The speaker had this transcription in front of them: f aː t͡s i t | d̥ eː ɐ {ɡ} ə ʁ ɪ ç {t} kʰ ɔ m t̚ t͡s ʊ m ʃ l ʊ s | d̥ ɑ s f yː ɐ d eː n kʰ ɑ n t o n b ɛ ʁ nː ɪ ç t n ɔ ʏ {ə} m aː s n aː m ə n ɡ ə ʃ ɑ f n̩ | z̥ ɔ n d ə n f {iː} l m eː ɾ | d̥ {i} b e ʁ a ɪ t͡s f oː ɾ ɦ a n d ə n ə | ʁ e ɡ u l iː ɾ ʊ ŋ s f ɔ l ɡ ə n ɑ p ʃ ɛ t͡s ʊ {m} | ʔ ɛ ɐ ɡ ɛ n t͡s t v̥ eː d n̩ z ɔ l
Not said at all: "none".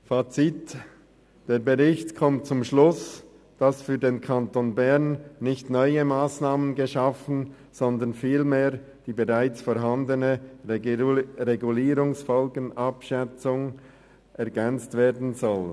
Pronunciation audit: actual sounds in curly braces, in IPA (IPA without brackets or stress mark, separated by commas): b, t, ə, iː, iː, ŋ